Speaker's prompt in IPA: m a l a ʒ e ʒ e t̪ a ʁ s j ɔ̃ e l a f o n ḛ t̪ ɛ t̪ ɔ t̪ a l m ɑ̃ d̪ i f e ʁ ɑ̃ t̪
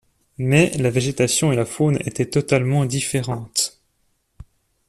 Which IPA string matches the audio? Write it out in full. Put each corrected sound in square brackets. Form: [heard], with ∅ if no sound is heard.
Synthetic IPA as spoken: m [ɛ] l a [v] e ʒ e t̪ a [∅] s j ɔ̃ e l a f o n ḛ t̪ ɛ t̪ ɔ t̪ a l m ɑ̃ d̪ i f e ʁ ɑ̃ t̪